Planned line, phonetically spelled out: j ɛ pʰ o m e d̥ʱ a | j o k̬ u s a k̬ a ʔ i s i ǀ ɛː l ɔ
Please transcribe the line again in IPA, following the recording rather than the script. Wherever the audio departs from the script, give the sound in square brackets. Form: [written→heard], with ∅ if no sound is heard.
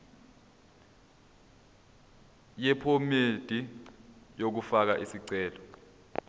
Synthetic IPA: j ɛ pʰ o m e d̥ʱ [a→i] | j o k̬ u [s→f] a k̬ a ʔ i s i ǀ ɛː l ɔ